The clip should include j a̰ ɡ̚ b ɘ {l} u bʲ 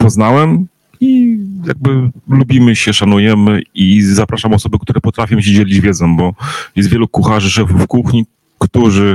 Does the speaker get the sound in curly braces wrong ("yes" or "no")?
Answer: no